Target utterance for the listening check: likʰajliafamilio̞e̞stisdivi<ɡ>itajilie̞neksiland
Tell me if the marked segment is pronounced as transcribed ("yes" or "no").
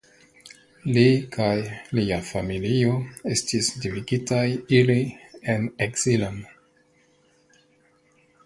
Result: yes